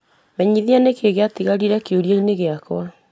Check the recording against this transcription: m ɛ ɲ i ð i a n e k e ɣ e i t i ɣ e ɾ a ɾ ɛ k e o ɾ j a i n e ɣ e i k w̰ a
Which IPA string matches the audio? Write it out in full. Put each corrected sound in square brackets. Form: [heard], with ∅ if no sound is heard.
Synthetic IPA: m ɛ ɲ i ð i a n e k e ɣ e [a] t i ɣ [a] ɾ [i] ɾ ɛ k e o ɾ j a i n e ɣ e [a] k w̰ a